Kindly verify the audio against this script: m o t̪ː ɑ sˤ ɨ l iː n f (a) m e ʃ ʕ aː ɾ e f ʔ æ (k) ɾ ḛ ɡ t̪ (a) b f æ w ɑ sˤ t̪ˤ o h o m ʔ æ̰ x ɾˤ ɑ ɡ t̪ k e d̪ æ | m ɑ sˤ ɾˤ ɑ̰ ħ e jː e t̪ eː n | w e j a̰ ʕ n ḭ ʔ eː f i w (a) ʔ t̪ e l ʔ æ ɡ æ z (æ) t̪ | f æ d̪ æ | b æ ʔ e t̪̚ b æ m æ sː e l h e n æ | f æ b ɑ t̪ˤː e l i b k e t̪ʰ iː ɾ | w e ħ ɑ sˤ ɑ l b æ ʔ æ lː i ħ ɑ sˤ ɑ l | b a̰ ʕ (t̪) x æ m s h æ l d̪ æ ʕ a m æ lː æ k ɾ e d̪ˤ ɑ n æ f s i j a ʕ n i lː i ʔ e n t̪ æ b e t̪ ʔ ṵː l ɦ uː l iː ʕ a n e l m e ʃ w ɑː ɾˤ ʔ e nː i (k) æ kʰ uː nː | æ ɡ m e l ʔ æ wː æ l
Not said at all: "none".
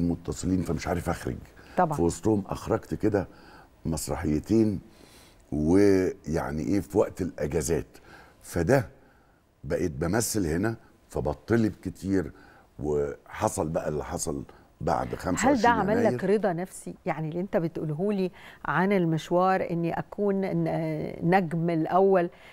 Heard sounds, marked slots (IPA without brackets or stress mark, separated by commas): æ, x, ɑ, æ, æː, d̪, ʔ